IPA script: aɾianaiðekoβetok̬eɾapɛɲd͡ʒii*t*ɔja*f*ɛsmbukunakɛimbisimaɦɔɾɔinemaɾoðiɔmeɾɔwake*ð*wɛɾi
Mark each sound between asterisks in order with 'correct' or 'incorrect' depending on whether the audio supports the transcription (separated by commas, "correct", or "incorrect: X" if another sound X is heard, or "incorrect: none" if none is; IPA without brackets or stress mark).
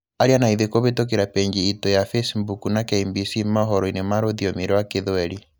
correct, correct, correct